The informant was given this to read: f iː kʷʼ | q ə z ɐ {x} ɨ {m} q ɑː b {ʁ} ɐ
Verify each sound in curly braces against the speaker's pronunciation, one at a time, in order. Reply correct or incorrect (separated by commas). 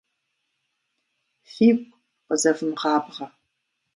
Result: incorrect, correct, correct